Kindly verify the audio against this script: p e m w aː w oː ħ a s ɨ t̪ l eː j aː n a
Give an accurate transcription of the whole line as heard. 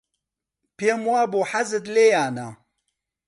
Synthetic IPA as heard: p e m w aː b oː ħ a z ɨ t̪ l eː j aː n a